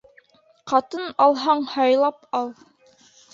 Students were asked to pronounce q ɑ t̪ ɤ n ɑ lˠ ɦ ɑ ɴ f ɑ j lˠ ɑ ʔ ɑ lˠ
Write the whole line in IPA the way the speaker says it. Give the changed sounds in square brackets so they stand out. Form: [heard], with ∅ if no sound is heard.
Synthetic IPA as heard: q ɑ t̪ ɤ n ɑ lˠ ɦ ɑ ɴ [h] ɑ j lˠ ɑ [p] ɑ lˠ